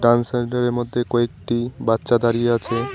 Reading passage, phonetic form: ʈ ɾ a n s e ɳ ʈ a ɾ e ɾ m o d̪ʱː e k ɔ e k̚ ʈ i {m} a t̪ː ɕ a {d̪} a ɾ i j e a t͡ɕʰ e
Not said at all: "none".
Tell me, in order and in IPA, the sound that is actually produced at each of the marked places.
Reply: b, d̪

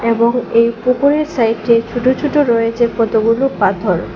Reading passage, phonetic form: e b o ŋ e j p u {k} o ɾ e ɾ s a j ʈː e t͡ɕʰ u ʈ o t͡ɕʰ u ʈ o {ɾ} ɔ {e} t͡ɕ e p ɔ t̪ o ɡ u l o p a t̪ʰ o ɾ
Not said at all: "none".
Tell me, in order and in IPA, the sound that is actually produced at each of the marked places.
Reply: k, ɾ, e

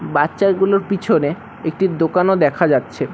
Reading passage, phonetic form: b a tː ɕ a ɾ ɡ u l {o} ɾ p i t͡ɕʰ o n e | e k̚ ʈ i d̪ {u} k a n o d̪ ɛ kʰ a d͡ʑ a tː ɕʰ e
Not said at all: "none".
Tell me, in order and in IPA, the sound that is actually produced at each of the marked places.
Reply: o, o

